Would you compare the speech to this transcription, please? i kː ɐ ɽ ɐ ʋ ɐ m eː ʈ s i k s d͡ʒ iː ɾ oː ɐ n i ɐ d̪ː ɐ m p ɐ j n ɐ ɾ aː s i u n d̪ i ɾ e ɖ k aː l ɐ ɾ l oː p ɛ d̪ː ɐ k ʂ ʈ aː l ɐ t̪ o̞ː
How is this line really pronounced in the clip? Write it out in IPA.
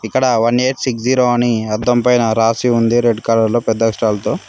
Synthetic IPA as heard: i kː ɐ ɽ ɐ ʋ ɐ n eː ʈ s i k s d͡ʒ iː ɾ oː ɐ n i ɐ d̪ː ɐ m p ɐ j n ɐ ɾ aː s i u n d̪ i ɾ e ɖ k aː l ɐ ɾ l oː p ɛ d̪ː ɐ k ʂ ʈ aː l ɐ t̪ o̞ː